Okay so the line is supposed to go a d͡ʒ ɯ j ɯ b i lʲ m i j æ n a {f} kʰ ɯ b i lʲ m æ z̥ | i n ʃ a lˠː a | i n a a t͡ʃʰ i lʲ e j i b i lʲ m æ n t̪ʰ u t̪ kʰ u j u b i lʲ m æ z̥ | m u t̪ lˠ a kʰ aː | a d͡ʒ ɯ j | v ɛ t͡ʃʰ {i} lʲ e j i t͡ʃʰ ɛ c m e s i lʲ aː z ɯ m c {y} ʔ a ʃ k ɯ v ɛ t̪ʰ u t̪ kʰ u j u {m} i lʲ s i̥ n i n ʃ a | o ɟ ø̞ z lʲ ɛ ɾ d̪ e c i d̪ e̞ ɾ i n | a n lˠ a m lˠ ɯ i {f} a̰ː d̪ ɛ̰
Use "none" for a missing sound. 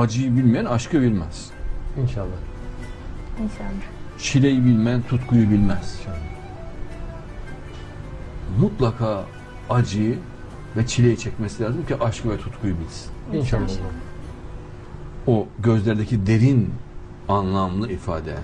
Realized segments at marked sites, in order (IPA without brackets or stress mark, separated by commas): ʃ, i, i, b, f